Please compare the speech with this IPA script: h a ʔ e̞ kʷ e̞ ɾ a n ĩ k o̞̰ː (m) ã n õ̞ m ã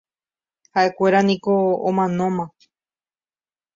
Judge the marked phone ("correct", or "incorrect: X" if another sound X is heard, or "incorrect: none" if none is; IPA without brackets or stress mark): correct